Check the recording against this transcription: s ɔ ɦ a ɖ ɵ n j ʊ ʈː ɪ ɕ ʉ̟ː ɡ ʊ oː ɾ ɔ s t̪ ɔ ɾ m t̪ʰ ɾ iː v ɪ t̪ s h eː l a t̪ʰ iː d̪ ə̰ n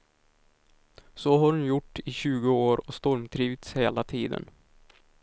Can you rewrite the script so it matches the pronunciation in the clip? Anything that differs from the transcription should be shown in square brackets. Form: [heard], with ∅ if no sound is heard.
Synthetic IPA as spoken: s ɔ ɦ a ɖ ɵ n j ʊ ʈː ɪ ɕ ʉ̟ː ɡ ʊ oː ɾ ɔ s t̪ ɔ ɾ m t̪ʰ ɾ iː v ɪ t̪ s h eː l a t̪ʰ iː d̪ ə̰ n